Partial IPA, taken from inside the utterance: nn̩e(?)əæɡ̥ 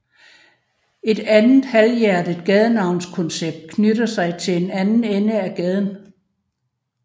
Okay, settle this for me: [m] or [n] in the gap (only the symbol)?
n